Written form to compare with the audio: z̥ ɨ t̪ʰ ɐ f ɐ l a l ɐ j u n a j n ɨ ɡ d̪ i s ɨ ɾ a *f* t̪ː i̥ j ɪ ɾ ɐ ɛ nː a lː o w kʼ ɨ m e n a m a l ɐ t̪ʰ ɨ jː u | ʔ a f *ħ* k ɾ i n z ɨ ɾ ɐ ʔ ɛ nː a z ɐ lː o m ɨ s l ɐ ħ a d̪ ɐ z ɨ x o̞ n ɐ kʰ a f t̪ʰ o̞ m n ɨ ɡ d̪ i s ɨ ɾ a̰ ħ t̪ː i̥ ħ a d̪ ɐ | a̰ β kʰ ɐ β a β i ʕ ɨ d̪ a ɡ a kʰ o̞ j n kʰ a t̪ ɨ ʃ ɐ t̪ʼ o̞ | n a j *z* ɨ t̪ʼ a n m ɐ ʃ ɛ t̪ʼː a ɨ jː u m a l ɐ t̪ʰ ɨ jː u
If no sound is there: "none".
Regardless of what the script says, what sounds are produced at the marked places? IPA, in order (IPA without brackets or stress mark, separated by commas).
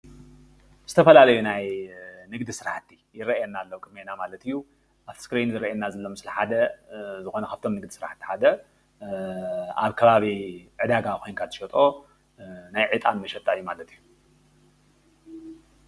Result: ħ, s, ʕ